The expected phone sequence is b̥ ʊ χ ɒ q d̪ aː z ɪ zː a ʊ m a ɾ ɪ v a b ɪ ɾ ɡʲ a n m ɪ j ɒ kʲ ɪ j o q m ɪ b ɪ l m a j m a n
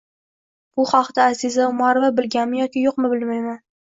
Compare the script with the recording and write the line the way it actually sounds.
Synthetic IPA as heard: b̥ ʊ χ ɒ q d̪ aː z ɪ z a ʊ m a ɾ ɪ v a b ɪ l ɡʲ a n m ɪ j ɒ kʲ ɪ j o q m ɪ b ɪ l m a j m a n